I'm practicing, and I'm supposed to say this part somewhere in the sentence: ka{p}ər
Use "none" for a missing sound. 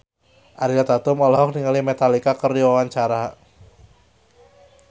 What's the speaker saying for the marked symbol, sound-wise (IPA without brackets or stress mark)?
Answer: k